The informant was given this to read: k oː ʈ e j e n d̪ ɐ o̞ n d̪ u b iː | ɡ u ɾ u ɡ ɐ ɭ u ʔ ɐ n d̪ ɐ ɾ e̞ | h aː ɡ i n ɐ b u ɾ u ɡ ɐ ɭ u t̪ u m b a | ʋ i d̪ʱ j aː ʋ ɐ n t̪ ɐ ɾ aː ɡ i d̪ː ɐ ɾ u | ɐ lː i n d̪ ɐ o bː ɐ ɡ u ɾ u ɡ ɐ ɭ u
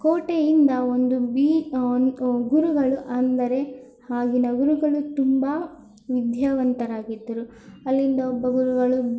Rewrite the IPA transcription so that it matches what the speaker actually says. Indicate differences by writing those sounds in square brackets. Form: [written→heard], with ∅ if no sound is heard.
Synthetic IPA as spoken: k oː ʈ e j [e→i] n d̪ ɐ o̞ n d̪ u b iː | ɡ u ɾ u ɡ ɐ ɭ u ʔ ɐ n d̪ ɐ ɾ e̞ | h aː ɡ i n ɐ [b→ɡ] u ɾ u ɡ ɐ ɭ u t̪ u m b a | ʋ i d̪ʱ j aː ʋ ɐ n t̪ ɐ ɾ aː ɡ i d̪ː ɐ ɾ u | ɐ lː i n d̪ ɐ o bː ɐ ɡ u ɾ u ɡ ɐ ɭ u